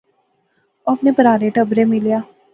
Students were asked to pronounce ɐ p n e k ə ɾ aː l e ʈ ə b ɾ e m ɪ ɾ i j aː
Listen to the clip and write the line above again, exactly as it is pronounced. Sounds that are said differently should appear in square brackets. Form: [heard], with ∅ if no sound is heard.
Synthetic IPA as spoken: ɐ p n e [p] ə ɾ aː [ɾ] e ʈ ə b ɾ e m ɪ [l] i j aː